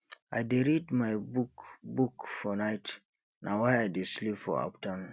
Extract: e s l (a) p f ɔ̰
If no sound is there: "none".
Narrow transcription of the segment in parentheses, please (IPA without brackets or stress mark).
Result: i